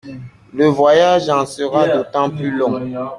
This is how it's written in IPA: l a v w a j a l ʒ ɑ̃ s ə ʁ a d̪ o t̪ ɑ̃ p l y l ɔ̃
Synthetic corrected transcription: l ə v w a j a ʒ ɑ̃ s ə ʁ a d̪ o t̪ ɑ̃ p l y l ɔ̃